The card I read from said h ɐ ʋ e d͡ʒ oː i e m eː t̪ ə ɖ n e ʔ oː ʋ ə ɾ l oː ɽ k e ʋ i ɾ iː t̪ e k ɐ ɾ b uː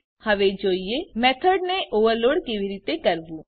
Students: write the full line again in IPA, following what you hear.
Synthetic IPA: h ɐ ʋ e d͡ʒ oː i e m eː t̪ʰ ə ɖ n e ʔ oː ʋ ə ɾ l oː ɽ k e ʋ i ɾ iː t̪ e k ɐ ɾ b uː

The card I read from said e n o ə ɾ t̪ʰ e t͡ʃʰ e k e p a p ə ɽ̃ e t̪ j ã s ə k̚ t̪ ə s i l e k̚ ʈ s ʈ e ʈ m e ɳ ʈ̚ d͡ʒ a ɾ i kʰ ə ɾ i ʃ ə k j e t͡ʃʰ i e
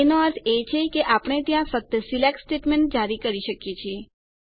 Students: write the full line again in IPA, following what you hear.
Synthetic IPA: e n o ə ɾ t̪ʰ e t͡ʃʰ e k e ʔ a p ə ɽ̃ e t̪ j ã f ə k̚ t̪ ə s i l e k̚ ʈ s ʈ e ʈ m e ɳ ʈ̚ d͡ʒ a ɾ i k ə ɾ i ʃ ə k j e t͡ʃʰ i e

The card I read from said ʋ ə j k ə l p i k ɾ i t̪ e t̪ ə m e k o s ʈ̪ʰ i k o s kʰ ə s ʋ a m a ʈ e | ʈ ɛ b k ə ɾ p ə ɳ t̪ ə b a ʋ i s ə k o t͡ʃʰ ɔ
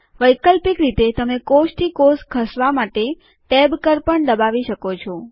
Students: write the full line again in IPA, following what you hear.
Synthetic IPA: ʋ ə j k ə l p i k ɾ i t̪ e t̪ ə m e k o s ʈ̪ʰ i k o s kʰ ə s ʋ a m a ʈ e | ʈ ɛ b k ə ɾ p ə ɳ d̪ ə b a ʋ i ʃ ə k o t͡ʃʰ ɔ

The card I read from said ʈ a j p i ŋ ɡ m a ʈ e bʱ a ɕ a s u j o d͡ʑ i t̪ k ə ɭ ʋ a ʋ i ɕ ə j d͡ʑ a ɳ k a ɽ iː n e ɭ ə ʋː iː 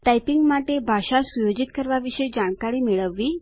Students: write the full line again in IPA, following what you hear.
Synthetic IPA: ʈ a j p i ŋ ɡ m a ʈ e bʱ a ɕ a s u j o d͡ʑ i t̪ k ə ɾ ʋ a ʋ i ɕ ə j d͡ʑ a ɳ k a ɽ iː m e ɭ ə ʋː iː

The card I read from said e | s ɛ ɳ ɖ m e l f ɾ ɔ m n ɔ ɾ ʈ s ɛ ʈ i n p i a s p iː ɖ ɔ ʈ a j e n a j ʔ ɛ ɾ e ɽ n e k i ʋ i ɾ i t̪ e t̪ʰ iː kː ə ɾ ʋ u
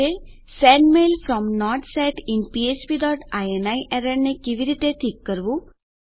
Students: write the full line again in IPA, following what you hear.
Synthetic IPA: e | s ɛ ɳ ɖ m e l f ɾ ɔ m n ɔ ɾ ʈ s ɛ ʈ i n p i e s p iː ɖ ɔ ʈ a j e n a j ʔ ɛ ɾ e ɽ n e k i ʋ i ɾ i t̪ e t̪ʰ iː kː ə ɾ ʋ u

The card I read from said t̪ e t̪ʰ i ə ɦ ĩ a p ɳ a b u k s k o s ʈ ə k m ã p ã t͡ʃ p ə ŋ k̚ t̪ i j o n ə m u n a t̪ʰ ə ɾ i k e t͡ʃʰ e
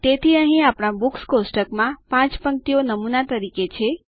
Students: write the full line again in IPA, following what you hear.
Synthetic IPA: t̪ e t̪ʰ i ə ɦ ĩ a p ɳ a b u k s k o s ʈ ə k m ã p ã t͡ʃ p ə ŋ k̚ t̪ i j o n ə m u n a t̪ ə ɾ i k e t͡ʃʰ e

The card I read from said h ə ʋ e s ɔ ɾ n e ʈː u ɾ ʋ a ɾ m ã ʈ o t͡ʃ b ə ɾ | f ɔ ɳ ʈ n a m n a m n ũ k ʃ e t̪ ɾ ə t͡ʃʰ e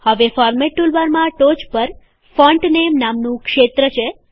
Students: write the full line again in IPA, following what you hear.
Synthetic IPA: h ə ʋ e f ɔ ɾ m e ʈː u l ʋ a ɾ m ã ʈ o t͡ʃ p ə ɾ | f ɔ ɳ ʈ n e m n a m n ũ k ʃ e t̪ ɾ ə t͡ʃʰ e

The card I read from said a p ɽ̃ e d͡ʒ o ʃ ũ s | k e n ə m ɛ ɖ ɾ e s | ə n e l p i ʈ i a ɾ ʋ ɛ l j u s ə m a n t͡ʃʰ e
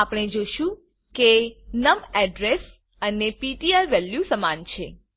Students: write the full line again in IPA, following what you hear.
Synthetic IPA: a p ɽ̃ e d͡ʒ o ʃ ũ | k e n ə m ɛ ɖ ɾ e s | ə n e p i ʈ i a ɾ ʋ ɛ l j u s ə m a n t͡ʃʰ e

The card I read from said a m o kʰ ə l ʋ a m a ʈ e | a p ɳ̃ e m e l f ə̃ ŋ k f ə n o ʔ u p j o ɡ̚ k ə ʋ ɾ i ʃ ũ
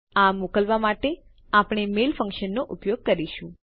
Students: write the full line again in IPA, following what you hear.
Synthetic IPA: a m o k ə l ʋ a m a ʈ e | a p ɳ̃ e m e l f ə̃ ŋ k ʃ ə nː o ʔ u p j o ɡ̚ k ə ɾ i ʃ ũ

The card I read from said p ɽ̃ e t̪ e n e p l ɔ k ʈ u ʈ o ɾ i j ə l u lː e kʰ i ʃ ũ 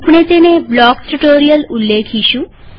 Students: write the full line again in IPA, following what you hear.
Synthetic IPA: p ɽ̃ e t̪ e n e b l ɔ k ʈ u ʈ o ɾ i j ə l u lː e kʰ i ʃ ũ

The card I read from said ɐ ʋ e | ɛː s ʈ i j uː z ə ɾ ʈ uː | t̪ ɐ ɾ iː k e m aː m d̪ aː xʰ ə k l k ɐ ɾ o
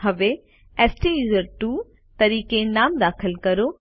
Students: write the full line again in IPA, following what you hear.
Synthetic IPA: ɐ ʋ e | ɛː s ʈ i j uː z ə ɾ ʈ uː | t̪ ɐ ɾ iː k e n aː m d̪ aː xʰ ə l k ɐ ɾ o

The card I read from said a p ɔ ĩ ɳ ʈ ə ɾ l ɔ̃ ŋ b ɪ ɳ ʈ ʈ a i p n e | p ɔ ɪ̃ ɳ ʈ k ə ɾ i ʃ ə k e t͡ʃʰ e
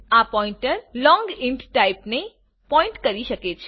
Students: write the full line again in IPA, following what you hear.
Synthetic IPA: a p ɔ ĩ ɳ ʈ ə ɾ l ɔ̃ ŋ ɡ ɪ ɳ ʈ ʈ a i p n e | p ɔ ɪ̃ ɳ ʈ k ə ɾ i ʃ ə k e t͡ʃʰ e

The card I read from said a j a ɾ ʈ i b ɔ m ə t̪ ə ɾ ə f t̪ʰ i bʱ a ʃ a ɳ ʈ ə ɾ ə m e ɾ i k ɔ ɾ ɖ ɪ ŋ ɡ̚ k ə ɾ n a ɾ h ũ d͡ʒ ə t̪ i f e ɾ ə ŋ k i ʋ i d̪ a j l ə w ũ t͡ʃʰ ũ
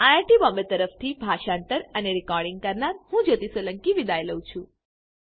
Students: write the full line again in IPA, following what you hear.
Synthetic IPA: a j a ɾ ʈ i b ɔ m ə t̪ ə ɾ ə f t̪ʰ i bʱ a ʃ a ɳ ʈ ə ɾ ə n e ɾ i k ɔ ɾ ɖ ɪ ŋ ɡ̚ k ə ɾ n a ɾ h ũ d͡ʒ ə t̪ i s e l ə ŋ k i ʋ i d̪ a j l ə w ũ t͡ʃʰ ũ

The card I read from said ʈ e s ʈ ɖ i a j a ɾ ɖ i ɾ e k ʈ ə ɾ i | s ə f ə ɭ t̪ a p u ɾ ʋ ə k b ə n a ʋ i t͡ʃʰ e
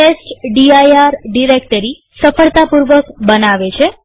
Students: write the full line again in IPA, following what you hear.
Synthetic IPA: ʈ e s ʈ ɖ i a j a ɾ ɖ i ɾ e k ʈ ə ɾ i | s ə f ə ɭ t̪ a p u ɾ ʋ ə k b ə n a ʋ e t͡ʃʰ e

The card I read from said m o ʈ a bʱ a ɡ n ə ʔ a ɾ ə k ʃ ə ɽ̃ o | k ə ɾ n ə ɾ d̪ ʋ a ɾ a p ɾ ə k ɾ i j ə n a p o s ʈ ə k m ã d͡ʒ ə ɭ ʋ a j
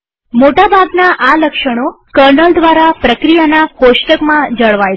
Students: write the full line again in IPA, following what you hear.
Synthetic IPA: m o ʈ a bʱ a ɡ n a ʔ a l ə k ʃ ə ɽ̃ o | k ə ɾ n ə l d̪ ʋ a ɾ a p ɾ ə k ɾ i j a n a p o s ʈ ə k m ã d͡ʒ ə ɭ ʋ a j

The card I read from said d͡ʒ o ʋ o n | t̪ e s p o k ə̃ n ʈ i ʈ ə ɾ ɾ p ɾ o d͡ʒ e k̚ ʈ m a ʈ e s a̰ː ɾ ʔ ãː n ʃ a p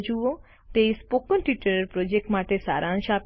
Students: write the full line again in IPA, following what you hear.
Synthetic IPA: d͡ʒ u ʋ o | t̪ e s p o k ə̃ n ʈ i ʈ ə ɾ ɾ p ɾ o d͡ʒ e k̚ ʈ m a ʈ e s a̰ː ɾ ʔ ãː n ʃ a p

